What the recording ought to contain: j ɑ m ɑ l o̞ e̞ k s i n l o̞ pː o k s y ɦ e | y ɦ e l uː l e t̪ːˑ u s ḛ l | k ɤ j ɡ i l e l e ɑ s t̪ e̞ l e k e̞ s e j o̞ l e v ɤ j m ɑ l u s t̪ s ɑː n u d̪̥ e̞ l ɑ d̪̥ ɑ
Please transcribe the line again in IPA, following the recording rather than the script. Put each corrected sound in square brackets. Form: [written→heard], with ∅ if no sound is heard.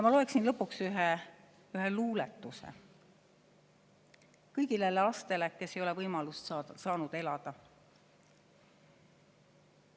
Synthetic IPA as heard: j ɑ m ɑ l o̞ e̞ k s i n l [o̞→ɤ̞] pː [o→u] k s y ɦ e | y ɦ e l uː l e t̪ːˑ u s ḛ [l→∅] | k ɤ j ɡ i l e l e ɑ s t̪ e̞ l e k e̞ s e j o̞ l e v ɤ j m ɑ l u s t̪ s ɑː n u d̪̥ e̞ l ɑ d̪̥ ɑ